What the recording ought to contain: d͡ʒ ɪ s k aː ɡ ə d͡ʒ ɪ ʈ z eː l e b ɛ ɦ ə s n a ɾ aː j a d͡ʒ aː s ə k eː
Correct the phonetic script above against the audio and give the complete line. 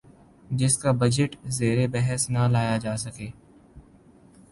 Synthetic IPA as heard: d͡ʒ ɪ s k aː b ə d͡ʒ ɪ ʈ z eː ɾ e b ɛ ɦ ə s n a l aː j a d͡ʒ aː s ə k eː